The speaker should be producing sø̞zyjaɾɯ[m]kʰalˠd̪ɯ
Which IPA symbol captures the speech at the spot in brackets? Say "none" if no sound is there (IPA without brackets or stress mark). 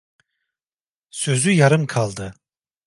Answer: m